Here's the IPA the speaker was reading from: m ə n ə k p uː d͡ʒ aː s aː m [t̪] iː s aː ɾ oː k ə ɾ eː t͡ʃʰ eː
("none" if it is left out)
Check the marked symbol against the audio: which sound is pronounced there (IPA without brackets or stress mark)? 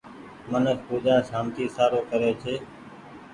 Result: t̪